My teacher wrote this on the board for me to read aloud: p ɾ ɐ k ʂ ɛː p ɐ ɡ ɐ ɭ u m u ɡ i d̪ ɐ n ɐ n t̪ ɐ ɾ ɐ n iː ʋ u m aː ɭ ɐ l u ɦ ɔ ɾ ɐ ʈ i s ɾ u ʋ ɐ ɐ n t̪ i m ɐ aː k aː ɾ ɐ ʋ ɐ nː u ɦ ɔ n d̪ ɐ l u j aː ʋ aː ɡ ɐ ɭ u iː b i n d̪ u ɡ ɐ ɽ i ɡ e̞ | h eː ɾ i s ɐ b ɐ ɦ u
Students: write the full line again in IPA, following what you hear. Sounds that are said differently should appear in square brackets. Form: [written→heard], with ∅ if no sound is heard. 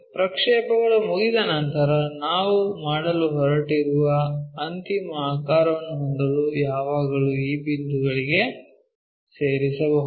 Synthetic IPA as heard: p ɾ ɐ k ʂ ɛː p ɐ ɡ ɐ ɭ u m u ɡ i d̪ ɐ n ɐ n t̪ ɐ ɾ ɐ n [iː→aː] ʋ u m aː [ɭ→ɽ] ɐ l u ɦ ɔ ɾ ɐ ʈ i [s→∅] ɾ u ʋ ɐ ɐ n t̪ i m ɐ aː k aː ɾ ɐ ʋ ɐ nː u ɦ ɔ n d̪ ɐ l u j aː ʋ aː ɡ ɐ ɭ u iː b i n d̪ u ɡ ɐ [ɽ→ɭ] i ɡ e̞ | [h→s] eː ɾ i s ɐ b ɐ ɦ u

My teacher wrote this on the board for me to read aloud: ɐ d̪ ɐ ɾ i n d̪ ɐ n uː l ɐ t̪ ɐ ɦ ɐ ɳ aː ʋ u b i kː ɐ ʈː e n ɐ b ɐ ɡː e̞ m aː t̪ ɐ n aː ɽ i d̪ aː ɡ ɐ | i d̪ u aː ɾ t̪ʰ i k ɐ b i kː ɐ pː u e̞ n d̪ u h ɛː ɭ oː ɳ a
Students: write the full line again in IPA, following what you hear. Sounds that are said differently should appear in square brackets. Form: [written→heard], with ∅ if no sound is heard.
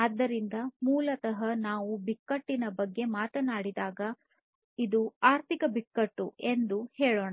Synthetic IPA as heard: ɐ [d̪→d̪ː] ɐ ɾ i n d̪ ɐ [n→m] uː l ɐ t̪ ɐ ɦ ɐ [ɳ→n] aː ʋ u b i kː ɐ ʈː [e→i] n ɐ b ɐ ɡː e̞ m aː t̪ ɐ n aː ɽ i d̪ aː ɡ ɐ | i d̪ u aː ɾ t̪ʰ i k ɐ b i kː ɐ [pː→ʈː] u e̞ n d̪ u h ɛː ɭ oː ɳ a

